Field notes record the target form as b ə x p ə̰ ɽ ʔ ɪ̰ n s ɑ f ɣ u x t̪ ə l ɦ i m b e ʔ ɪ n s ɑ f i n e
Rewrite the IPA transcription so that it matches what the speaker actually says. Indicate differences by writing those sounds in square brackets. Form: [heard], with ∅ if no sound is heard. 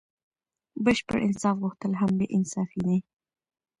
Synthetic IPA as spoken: b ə [ʃ] p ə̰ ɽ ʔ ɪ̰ n s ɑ f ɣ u x t̪ ə l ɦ [a] m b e ʔ ɪ n s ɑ f i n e